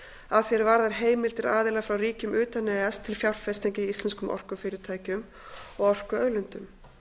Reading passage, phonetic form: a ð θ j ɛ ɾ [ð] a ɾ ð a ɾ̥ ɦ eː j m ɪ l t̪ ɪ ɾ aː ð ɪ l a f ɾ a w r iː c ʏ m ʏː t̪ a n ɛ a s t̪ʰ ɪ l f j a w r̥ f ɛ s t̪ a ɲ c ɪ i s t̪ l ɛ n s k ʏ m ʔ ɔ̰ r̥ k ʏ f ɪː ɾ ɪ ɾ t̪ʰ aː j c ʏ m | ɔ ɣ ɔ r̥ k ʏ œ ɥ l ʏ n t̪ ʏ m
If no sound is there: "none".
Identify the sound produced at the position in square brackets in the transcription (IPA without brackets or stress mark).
v